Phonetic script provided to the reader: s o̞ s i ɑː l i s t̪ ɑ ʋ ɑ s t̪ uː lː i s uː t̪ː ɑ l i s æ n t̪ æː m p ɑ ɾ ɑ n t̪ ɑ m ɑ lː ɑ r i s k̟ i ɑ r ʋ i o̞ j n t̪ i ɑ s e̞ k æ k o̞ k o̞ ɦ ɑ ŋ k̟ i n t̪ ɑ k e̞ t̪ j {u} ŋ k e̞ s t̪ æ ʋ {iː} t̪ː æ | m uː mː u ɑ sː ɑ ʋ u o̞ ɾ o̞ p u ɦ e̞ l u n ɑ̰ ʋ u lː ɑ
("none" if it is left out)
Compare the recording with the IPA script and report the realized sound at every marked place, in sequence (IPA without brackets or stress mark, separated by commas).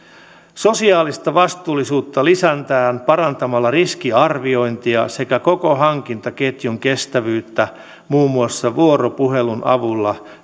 u, yː